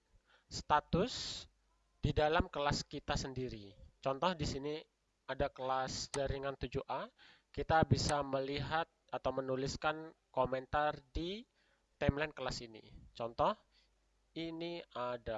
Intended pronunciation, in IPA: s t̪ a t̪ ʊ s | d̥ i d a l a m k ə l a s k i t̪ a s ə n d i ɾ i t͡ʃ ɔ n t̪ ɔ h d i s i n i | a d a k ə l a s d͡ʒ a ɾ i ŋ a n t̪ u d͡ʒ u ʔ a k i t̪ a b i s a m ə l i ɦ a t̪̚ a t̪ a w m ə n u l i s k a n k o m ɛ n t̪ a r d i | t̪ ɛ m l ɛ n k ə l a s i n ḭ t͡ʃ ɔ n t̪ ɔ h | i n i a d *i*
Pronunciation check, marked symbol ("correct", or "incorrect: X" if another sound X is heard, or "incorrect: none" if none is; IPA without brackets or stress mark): incorrect: a